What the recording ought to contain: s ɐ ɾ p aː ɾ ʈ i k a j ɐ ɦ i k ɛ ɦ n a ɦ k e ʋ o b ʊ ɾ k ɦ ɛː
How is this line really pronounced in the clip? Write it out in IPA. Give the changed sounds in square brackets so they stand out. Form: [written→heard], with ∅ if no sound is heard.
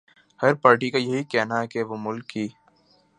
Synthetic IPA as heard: [s→h] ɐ ɾ p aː ɾ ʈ i k a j ɐ ɦ i k ɛ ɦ n a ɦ k e ʋ o [b→m] ʊ [ɾ→l] k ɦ [ɛː→iː]